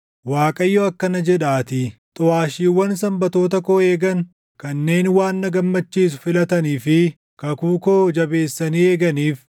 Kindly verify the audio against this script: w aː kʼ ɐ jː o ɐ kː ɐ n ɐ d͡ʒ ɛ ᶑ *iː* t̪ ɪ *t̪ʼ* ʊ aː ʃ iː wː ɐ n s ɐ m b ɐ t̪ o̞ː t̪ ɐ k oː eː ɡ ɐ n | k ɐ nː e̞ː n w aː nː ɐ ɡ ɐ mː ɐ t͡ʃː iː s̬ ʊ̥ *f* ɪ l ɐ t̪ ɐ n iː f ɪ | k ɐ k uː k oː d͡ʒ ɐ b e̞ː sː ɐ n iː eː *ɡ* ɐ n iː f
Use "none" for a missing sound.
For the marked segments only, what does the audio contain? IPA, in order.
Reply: aː, t̪ʼ, f, ɡ

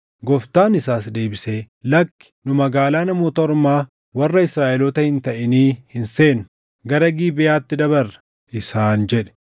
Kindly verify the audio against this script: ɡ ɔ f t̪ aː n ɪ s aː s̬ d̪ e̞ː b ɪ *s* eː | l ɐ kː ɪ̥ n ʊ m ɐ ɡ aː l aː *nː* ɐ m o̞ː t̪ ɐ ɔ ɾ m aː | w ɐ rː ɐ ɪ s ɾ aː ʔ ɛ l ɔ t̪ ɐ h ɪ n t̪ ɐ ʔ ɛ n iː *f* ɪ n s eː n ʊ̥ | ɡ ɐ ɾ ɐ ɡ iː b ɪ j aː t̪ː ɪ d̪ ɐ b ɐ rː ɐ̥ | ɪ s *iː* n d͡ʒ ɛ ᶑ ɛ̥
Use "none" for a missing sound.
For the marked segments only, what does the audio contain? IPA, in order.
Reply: s, n, h, aː

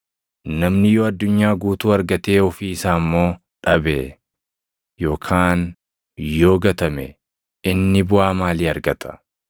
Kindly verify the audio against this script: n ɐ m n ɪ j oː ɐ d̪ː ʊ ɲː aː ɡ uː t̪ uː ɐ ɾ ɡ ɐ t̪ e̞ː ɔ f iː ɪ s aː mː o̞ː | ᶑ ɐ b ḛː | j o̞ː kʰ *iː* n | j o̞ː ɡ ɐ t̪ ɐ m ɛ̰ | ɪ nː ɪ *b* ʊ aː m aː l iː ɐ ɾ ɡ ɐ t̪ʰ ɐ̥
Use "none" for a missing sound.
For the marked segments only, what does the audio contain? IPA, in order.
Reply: aː, b

